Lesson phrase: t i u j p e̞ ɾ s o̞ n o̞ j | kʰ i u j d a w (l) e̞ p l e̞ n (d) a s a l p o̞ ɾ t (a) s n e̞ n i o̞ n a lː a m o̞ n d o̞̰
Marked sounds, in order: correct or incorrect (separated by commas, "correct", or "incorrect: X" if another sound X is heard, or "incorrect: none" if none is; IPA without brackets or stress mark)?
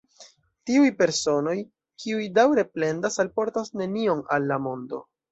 incorrect: ɾ, correct, correct